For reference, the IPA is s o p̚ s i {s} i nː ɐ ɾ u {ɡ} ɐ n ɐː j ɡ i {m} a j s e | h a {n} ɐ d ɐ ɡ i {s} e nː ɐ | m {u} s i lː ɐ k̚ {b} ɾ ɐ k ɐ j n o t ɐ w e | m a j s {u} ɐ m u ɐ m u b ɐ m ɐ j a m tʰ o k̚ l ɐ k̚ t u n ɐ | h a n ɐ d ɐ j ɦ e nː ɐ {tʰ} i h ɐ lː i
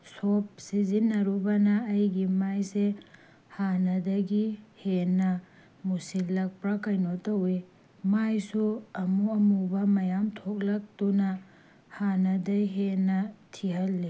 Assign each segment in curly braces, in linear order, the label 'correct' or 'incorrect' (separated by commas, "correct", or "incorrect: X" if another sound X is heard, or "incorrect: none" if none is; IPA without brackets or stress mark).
incorrect: z, incorrect: b, correct, correct, incorrect: h, correct, incorrect: p, correct, correct